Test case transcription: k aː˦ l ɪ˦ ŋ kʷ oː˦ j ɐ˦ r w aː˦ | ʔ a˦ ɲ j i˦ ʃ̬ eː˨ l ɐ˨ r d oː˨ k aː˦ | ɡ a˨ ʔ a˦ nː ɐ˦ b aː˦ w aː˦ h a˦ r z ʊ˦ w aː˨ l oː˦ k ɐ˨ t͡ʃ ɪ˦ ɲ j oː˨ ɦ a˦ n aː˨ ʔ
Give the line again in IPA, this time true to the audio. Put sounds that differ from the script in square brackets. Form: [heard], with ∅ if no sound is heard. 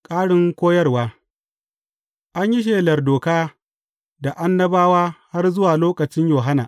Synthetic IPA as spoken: [kʼ] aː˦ [ɽ] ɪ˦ ŋ kʷ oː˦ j ɐ˦ r w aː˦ | ʔ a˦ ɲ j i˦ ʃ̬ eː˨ l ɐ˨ r d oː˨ k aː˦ | [d] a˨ ʔ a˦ nː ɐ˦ b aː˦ w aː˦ h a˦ r z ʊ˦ w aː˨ l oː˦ k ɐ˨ t͡ʃ ɪ˦ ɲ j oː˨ ɦ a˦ n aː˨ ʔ

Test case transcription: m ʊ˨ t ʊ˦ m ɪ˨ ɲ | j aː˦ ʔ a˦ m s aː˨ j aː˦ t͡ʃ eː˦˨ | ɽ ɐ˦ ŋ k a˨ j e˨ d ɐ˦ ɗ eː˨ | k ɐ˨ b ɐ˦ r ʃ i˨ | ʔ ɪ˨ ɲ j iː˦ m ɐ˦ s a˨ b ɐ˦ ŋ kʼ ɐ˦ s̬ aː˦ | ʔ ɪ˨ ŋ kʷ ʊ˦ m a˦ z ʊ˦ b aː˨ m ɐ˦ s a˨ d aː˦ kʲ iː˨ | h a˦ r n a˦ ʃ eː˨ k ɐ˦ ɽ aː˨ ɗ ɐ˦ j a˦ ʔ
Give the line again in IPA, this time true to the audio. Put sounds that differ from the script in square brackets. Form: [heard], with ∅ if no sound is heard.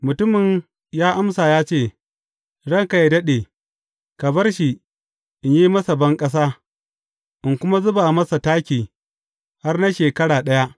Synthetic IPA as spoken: m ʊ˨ t ʊ˦ m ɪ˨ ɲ | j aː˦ ʔ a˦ m s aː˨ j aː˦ t͡ʃ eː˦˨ | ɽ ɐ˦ ŋ k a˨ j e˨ d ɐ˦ ɗ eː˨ | k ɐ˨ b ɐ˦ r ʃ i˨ | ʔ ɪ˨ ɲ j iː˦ m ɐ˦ s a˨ b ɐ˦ ŋ kʼ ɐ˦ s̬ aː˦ | ʔ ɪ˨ ŋ kʷ ʊ˦ m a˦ z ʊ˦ b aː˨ m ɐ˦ s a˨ [t] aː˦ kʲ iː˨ | h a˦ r n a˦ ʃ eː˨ k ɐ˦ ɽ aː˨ ɗ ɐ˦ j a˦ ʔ

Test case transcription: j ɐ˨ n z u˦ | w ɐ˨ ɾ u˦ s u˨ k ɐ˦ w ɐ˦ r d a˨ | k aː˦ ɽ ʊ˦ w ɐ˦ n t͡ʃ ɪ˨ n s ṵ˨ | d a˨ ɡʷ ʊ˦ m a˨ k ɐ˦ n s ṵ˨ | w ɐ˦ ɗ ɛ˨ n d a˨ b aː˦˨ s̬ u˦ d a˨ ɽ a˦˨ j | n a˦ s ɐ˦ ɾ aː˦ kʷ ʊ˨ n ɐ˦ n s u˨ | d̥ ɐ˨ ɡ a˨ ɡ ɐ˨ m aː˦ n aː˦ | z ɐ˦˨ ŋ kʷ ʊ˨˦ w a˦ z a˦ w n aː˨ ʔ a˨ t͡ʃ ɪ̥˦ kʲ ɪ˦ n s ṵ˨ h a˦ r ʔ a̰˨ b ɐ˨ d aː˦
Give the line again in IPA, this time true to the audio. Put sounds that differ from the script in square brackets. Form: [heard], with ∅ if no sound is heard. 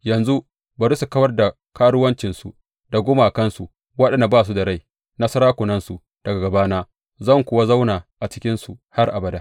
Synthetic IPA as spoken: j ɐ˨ n z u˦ | [b] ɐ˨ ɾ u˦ s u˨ k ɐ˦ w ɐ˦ r d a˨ | k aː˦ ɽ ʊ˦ w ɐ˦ n t͡ʃ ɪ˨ n s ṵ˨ | d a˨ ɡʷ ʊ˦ m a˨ k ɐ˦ n s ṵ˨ | w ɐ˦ ɗ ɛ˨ n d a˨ b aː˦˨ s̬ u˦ d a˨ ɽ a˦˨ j | n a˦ s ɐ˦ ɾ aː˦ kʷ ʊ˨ n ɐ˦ n s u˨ | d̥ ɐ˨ ɡ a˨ ɡ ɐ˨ [b] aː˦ n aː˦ | z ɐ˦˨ ŋ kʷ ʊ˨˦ w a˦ z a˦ w n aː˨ ʔ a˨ t͡ʃ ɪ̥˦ kʲ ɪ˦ n s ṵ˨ h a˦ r ʔ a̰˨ b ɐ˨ d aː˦

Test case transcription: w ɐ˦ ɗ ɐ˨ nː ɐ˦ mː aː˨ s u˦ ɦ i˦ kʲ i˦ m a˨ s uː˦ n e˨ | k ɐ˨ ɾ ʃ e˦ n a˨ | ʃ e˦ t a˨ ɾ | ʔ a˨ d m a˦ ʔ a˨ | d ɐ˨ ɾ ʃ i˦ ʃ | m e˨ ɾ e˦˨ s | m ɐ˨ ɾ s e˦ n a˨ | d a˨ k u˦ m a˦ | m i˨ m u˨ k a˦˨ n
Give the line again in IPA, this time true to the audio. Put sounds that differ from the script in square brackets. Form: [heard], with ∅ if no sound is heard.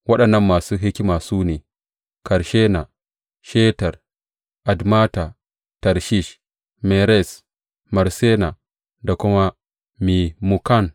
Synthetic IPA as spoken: w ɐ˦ ɗ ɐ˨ nː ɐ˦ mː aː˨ s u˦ ɦ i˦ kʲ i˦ m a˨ s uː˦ n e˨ | k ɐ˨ ɾ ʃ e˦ n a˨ | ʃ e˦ t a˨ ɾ | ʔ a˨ d m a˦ [t] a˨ | [t] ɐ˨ ɾ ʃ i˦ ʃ | m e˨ ɾ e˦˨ s | m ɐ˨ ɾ s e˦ n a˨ | d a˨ k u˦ m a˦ | m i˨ m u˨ k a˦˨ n

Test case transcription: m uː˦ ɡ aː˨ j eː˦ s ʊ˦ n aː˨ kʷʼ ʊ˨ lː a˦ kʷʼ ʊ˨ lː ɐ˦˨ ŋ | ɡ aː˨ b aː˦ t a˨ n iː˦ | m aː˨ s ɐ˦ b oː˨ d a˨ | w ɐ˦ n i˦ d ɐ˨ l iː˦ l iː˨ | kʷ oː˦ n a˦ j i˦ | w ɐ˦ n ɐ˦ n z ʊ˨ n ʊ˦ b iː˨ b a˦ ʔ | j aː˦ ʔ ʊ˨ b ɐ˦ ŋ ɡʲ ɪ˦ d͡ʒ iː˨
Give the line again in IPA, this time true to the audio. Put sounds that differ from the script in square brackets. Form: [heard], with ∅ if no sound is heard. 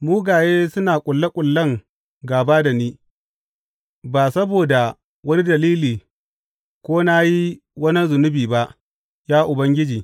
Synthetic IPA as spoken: m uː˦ ɡ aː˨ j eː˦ s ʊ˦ n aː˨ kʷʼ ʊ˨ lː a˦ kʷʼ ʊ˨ lː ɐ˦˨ ŋ | ɡ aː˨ b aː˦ [d] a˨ n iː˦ | [b] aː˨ s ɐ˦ b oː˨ d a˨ | w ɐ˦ n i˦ d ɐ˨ l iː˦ l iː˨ | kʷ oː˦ n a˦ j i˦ | w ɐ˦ n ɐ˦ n z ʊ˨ n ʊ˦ b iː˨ b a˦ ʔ | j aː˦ ʔ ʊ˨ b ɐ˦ ŋ ɡʲ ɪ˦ d͡ʒ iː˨

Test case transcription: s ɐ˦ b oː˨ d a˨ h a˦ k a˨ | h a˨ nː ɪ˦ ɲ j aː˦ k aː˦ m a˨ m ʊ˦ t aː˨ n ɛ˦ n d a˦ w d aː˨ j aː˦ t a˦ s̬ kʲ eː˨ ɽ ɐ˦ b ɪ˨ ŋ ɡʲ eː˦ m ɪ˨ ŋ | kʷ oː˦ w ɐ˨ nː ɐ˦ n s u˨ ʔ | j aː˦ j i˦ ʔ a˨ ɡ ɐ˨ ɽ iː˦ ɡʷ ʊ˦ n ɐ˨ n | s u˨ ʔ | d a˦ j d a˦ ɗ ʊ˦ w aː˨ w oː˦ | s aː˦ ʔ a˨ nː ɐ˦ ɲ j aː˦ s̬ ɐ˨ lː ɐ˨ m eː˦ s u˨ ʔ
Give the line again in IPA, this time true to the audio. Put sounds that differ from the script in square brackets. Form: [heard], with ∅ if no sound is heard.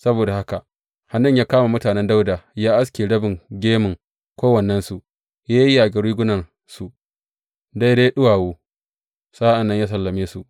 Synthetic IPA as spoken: s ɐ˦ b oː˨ d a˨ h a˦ k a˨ | h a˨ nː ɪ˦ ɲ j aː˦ k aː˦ m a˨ m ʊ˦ t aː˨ n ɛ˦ n d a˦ w d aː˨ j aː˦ [ʔ] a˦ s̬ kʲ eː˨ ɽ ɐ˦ b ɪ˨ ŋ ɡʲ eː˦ m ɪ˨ ŋ | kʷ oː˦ w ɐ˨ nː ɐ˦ n s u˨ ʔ | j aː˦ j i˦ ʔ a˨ ɡ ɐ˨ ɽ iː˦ ɡʷ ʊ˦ n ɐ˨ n | s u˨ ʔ | d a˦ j d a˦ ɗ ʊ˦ w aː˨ w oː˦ | s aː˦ ʔ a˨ nː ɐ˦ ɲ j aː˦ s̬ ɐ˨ lː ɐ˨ m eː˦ s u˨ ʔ

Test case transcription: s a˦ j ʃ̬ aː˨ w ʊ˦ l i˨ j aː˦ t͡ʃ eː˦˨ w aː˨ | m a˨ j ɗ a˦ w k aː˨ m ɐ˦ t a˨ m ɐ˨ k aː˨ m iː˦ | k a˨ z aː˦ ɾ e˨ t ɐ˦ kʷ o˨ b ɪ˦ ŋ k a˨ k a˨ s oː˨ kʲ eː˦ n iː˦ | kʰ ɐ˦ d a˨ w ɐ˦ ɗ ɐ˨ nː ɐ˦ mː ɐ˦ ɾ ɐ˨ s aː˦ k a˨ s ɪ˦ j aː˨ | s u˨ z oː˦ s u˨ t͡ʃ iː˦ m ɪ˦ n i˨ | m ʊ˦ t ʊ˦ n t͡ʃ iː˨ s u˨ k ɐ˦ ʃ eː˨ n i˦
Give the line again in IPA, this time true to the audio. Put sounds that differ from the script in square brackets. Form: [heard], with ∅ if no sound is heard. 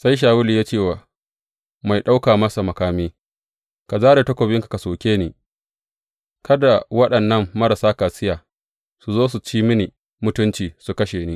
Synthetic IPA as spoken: s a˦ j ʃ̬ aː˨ w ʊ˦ l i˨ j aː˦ t͡ʃ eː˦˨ w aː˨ | m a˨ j ɗ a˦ w k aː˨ m ɐ˦ [s] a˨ m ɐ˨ k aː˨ m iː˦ | k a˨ z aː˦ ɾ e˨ t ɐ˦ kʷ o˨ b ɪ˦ ŋ k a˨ k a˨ s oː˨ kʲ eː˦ n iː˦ | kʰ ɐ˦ d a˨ w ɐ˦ ɗ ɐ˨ nː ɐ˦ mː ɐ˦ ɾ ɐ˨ s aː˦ k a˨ s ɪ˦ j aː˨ | s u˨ z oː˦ s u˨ t͡ʃ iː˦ m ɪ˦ n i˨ | m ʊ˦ t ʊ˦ n t͡ʃ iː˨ s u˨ k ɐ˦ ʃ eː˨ n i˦

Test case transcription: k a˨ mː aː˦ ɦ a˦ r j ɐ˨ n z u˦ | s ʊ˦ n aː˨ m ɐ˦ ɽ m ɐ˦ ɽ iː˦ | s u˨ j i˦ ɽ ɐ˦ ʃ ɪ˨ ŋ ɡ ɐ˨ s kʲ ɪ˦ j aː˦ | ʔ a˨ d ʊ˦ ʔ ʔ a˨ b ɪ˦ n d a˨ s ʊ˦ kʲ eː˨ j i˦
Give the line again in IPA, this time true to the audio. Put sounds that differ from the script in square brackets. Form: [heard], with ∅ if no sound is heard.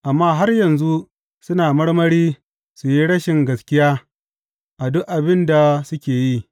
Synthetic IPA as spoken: [ʔ] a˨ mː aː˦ ɦ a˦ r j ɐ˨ n z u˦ | s ʊ˦ n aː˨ m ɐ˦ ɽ m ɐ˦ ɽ iː˦ | s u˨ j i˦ ɽ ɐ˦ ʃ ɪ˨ ŋ ɡ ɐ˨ s kʲ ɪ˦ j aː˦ | ʔ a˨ d ʊ˦ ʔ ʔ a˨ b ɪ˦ n d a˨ s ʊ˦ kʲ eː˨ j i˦

